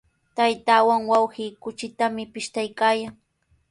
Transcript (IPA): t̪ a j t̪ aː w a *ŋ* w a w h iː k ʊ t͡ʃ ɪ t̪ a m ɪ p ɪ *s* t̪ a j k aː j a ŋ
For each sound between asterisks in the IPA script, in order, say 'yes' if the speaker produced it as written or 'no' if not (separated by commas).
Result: yes, no